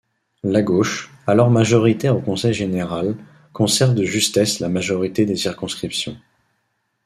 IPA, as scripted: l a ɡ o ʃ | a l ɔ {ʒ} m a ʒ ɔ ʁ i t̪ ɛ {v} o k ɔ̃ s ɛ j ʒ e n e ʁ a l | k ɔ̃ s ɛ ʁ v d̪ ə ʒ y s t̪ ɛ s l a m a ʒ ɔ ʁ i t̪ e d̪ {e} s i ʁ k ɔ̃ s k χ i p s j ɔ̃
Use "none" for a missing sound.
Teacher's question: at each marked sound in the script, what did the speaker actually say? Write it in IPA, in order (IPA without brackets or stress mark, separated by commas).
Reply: ʁ, ʁ, e